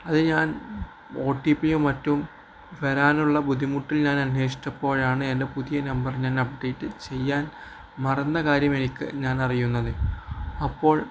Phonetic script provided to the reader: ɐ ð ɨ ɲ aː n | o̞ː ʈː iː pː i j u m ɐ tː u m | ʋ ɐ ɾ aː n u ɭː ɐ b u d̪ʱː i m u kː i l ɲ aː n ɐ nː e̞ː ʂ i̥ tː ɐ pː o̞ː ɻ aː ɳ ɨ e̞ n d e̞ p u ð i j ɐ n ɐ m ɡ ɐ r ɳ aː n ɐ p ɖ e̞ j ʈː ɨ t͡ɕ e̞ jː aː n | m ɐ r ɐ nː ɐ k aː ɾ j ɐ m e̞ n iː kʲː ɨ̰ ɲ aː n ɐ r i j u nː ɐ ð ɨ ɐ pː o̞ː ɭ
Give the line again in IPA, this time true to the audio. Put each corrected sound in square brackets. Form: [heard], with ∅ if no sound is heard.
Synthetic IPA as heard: ɐ ð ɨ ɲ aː n | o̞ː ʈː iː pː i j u m ɐ tː u m | ʋ ɐ ɾ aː n u ɭː ɐ b u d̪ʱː i m u [ʈː] i l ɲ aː n ɐ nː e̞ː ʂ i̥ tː ɐ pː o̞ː ɻ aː ɳ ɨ e̞ n d e̞ p u ð i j ɐ n ɐ m [b] ɐ r [ɲ] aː n ɐ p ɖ e̞ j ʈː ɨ t͡ɕ e̞ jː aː n | m ɐ r ɐ nː ɐ k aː ɾ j ɐ m e̞ n [i] kʲː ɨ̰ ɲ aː n ɐ r i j u nː ɐ ð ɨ ɐ pː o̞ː ɭ

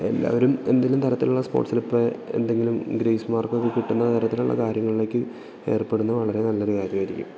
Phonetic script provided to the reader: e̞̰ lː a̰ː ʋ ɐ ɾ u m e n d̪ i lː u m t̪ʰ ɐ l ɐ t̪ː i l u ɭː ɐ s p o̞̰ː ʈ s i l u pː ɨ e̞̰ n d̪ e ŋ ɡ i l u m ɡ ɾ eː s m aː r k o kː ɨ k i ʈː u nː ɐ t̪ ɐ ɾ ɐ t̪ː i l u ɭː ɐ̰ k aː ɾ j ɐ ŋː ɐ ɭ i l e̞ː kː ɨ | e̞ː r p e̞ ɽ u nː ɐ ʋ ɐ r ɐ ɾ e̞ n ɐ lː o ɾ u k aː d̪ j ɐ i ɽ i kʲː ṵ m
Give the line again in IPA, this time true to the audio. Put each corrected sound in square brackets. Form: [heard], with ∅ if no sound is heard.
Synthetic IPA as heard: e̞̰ lː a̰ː ʋ ɐ ɾ u m e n d̪ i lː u m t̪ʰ ɐ [ɾ] ɐ t̪ː i l u ɭː ɐ s p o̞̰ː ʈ s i l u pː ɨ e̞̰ n d̪ e ŋ ɡ i l u m ɡ ɾ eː s m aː r k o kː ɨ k i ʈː u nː ɐ t̪ ɐ ɾ ɐ t̪ː i l u ɭː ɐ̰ k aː ɾ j ɐ ŋː ɐ ɭ i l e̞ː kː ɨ | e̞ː r p e̞ ɽ u nː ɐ ʋ ɐ [ɭ] ɐ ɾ e̞ n ɐ lː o ɾ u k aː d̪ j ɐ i [ɾ] i kʲː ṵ m

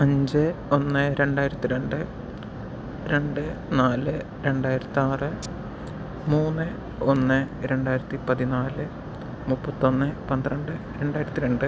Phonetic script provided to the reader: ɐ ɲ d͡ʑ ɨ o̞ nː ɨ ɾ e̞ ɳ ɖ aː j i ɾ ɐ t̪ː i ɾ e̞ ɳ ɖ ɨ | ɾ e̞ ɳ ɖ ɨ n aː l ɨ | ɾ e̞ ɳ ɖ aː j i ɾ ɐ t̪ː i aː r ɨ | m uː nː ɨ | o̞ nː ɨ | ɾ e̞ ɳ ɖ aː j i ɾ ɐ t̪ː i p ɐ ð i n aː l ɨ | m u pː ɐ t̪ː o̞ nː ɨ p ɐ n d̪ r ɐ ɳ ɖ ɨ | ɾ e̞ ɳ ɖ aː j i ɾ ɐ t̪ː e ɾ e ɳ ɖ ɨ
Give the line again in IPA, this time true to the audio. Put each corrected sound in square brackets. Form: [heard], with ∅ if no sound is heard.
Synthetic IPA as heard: ɐ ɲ d͡ʑ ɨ o̞ nː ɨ ɾ e̞ ɳ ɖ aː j i ɾ ɐ t̪ː i ɾ e̞ ɳ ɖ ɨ | ɾ e̞ ɳ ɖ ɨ n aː l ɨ | ɾ e̞ ɳ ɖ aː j i ɾ ɐ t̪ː i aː r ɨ | m uː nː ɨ | o̞ nː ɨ | ɾ e̞ ɳ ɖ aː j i ɾ ɐ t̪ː i p ɐ ð i n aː l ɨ | m u pː ɐ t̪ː o̞ nː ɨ p ɐ n d̪ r ɐ ɳ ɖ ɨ | ɾ e̞ ɳ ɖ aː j i ɾ ɐ t̪ː [i] ɾ e ɳ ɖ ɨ

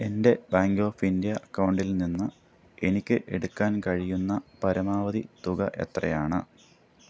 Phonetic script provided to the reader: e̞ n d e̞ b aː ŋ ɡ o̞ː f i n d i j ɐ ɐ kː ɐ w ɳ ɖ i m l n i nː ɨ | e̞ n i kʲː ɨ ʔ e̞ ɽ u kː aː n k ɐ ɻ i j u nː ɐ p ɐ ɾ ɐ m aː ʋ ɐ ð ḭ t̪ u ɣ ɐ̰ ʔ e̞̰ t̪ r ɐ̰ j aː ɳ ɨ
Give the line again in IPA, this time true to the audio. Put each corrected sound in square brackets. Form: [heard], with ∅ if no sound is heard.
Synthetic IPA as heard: e̞ n d e̞ b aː ŋ ɡ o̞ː f i n d i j ɐ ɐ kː ɐ w ɳ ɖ i [∅] l n i nː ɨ | e̞ n i kʲː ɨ ʔ e̞ ɽ u kː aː n k ɐ ɻ i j u nː ɐ p ɐ ɾ ɐ m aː ʋ ɐ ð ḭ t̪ u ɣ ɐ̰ ʔ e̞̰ t̪ r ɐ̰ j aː ɳ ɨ

